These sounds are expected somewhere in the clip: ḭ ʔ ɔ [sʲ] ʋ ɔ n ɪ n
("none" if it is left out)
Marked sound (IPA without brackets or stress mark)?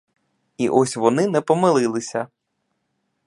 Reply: sʲ